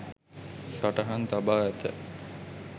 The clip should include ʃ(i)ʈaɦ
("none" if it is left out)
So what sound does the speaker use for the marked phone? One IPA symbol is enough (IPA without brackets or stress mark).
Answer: a